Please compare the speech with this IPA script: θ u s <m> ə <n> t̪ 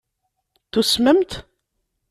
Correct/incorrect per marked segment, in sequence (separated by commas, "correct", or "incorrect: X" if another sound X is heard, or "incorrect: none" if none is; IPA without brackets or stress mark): correct, incorrect: m